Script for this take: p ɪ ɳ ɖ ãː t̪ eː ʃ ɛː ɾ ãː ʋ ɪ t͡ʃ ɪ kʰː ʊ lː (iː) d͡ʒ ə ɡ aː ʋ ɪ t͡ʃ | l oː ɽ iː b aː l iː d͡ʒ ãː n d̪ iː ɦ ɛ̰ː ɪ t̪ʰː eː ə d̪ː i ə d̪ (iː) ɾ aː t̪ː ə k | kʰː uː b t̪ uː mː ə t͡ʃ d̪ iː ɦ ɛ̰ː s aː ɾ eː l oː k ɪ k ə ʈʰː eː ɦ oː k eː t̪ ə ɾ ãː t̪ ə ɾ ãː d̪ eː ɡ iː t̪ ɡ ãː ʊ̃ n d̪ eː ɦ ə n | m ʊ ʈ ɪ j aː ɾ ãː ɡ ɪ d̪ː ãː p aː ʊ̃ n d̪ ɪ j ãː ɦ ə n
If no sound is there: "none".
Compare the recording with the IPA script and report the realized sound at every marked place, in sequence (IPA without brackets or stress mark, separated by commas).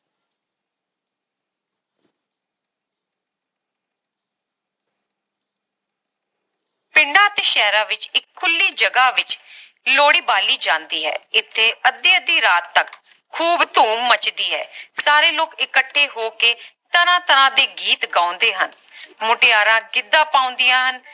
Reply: iː, iː